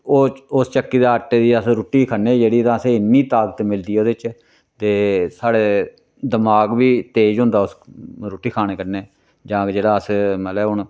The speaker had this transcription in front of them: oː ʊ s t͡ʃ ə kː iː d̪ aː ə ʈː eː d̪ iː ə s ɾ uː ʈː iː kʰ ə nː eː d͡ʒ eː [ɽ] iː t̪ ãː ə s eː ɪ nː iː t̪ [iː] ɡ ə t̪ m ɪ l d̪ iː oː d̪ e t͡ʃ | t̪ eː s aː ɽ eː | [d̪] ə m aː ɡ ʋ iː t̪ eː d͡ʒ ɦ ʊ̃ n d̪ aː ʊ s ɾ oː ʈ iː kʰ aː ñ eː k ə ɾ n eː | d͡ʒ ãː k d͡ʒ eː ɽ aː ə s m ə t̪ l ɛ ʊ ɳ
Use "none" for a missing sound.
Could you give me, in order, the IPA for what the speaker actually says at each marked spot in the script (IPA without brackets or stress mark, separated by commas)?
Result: ɽ, aː, d̪